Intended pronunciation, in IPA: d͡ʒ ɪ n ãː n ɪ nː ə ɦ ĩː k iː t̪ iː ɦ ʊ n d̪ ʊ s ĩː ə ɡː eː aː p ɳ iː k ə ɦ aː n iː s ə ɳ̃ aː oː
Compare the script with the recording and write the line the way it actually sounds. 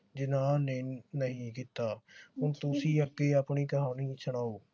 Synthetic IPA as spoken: d͡ʒ ɪ n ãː n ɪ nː ə ɦ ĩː k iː t̪ aː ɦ ʊ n t̪ ʊ s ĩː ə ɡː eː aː p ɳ iː k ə ɦ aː n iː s ə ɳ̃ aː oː